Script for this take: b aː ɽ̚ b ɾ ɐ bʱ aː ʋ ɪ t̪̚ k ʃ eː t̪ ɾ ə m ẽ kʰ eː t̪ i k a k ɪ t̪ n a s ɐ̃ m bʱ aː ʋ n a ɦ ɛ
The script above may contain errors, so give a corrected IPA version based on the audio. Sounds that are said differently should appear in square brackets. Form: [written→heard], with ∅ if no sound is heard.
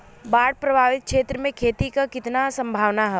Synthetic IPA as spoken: b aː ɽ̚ [b→p] ɾ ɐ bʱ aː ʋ ɪ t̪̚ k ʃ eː t̪ ɾ ə m ẽ kʰ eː t̪ i k a k ɪ t̪ n a s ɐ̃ m bʱ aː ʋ n a ɦ ɛ

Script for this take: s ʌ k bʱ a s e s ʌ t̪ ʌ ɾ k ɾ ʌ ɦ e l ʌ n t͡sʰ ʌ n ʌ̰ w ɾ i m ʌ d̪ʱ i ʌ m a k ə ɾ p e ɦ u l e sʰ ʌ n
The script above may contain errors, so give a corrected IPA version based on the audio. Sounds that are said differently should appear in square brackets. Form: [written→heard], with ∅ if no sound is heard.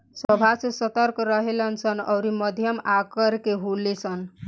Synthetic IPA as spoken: s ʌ [k→∅] bʱ a s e s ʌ t̪ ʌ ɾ k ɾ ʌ ɦ e l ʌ n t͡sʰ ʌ n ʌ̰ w ɾ i m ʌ d̪ʱ [i→j] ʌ m a k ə ɾ [p→k] e ɦ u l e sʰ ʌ n

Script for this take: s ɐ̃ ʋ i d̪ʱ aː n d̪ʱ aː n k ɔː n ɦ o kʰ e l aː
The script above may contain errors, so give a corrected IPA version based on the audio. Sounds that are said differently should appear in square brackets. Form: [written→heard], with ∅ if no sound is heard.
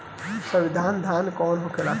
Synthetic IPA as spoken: s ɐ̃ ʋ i d̪ʱ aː n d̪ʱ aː n k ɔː n ɦ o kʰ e l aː

